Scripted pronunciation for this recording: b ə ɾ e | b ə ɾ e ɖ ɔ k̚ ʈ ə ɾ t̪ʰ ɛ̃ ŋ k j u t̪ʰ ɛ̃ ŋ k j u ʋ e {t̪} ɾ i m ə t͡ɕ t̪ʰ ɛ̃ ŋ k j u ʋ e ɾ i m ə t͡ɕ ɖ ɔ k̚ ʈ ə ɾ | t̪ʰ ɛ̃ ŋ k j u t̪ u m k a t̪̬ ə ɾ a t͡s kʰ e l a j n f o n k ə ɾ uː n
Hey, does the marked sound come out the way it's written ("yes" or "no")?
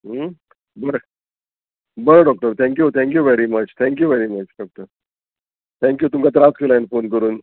no